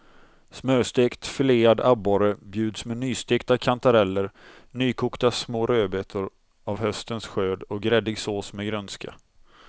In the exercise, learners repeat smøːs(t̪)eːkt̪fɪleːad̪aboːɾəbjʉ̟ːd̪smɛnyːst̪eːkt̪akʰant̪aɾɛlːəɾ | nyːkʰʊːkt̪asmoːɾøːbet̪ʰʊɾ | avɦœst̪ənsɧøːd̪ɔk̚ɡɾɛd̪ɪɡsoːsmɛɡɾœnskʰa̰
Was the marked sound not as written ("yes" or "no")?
no